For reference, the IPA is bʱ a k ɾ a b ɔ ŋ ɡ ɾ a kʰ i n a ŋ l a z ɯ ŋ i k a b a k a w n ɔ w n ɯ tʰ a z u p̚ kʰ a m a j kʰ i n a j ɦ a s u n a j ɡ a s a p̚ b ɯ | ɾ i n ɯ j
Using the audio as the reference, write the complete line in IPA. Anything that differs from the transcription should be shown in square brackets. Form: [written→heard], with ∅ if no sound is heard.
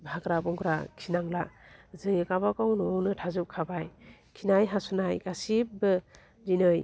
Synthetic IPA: bʱ a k ɾ a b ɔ ŋ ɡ ɾ a kʰ i n a ŋ l a z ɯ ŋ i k a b a k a w n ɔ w n ɯ tʰ a z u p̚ kʰ a [m→b] a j kʰ i n a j ɦ a s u n a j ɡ a s [a→i] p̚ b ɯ | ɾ i n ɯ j